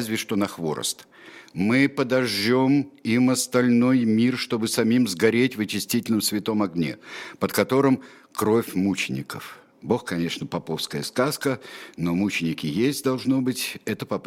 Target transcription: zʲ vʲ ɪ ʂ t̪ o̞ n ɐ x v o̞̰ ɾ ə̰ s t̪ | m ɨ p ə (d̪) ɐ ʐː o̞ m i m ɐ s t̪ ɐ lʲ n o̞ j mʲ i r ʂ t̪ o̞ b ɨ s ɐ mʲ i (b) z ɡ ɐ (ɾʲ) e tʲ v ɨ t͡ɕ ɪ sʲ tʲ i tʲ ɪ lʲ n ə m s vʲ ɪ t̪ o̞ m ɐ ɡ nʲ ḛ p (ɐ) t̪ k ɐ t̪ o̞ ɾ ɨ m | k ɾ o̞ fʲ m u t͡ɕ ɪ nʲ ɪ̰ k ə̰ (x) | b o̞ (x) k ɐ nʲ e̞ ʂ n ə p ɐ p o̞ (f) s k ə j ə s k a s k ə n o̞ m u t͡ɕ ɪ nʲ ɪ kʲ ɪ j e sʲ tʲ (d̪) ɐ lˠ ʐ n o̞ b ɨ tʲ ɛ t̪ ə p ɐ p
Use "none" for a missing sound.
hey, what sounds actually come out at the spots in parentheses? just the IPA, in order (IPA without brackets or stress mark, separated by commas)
d̪, m, ɾʲ, ə, f, x, f, d̪